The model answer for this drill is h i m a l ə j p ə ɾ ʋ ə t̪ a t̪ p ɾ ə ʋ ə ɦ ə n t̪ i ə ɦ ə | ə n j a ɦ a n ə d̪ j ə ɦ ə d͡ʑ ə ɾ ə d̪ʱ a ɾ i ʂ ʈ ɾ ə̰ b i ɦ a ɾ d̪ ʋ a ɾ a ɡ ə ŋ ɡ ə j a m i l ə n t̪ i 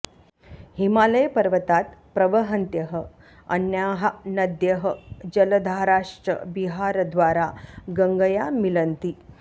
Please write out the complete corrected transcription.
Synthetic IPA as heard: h i m a l ə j p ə ɾ ʋ ə t̪ a t̪ p ɾ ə ʋ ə ɦ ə n t̪ j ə ɦ ə | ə n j a ɦ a n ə d̪ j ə ɦ ə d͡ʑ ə l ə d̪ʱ a ɾ a ʂ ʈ ɾ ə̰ b i ɦ a ɾ d̪ ʋ a ɾ a ɡ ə ŋ ɡ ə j a m i l ə n t̪ i